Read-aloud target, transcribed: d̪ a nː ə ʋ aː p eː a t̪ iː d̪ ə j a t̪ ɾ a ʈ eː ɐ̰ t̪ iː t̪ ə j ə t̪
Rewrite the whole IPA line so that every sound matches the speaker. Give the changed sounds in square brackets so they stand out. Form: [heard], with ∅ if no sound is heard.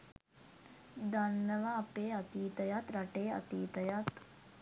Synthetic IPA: d̪ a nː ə ʋ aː p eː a t̪ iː [t̪] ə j a t̪ ɾ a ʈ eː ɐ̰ t̪ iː t̪ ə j [a] t̪